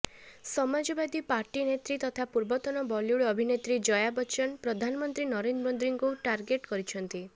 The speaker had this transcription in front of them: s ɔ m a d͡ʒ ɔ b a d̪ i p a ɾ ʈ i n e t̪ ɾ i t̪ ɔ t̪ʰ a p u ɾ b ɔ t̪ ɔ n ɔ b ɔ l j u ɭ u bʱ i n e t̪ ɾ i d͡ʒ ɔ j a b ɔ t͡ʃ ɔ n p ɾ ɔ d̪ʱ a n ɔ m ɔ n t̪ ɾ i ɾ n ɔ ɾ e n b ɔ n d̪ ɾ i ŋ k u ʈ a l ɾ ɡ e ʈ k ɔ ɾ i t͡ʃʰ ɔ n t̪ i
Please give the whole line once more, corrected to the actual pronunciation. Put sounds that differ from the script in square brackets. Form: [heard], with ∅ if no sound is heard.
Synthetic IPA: s ɔ m a d͡ʒ ɔ b a d̪ i p a ɾ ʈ i n e t̪ ɾ i t̪ ɔ t̪ʰ a p u ɾ b ɔ t̪ ɔ n ɔ b ɔ l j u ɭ [ɔ] bʱ i n e t̪ ɾ i d͡ʒ ɔ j a b ɔ t͡ʃ ɔ n p ɾ ɔ d̪ʱ a n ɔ m ɔ n t̪ ɾ i [∅] n ɔ ɾ e n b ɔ n d̪ ɾ i ŋ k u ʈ a [∅] ɾ ɡ e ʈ k ɔ ɾ i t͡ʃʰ ɔ n t̪ i